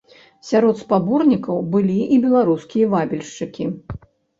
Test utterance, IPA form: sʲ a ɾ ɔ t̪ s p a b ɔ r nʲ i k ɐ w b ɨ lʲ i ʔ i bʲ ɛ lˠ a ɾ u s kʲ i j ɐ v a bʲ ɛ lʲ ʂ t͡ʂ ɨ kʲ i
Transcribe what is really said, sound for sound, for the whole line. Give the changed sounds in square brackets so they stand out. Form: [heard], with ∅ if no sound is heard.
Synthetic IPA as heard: sʲ a ɾ ɔ t̪ s p a b ɔ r nʲ i k ɐ w b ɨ lʲ i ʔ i bʲ ɛ lˠ a ɾ u s kʲ i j ɐ v a bʲ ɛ lʲ ʂ t͡ʂ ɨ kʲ i